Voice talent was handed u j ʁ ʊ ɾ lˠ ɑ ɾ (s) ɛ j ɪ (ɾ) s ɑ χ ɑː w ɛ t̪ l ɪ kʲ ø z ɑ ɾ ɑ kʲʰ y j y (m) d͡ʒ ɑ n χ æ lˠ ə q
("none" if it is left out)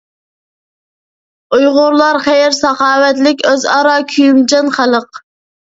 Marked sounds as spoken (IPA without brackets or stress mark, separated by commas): χ, ɾ, m